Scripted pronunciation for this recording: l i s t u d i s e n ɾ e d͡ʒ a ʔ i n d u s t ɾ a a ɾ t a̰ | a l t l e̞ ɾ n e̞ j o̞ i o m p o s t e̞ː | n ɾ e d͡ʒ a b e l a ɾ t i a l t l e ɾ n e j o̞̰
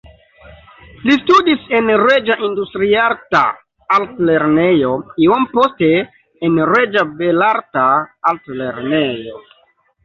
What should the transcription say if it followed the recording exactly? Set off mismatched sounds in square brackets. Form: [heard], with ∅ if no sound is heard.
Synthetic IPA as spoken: l i s t u d i s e n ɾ e d͡ʒ a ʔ i n d u s t ɾ [i] a ɾ t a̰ | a l t l e̞ ɾ n e̞ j o̞ i o m p o s t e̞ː | n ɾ e d͡ʒ a b e l a ɾ t [a] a l t l e ɾ n e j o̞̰